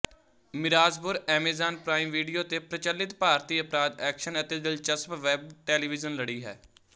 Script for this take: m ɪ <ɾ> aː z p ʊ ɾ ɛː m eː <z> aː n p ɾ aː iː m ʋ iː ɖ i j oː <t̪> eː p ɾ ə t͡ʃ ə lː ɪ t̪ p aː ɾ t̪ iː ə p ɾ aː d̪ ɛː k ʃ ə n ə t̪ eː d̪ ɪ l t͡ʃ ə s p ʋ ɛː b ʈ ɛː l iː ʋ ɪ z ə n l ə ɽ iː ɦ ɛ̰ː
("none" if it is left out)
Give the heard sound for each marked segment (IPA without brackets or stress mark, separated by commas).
ɾ, z, t̪